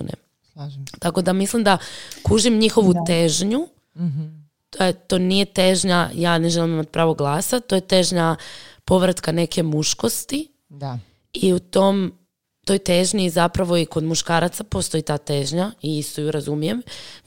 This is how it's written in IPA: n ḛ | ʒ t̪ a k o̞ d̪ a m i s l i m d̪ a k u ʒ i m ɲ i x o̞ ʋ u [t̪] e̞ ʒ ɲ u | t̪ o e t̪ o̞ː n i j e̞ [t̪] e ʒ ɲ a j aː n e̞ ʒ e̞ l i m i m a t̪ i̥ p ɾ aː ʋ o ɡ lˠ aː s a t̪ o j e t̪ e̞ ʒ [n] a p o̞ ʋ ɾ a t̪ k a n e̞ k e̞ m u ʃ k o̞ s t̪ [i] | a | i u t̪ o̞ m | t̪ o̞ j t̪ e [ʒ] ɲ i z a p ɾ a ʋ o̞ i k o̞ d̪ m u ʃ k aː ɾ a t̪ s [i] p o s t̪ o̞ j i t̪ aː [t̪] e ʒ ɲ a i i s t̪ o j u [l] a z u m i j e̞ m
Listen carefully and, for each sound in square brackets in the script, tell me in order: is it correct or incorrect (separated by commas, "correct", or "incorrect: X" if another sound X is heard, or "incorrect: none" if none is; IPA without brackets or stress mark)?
correct, correct, incorrect: ɲ, correct, correct, incorrect: a, correct, incorrect: ɾ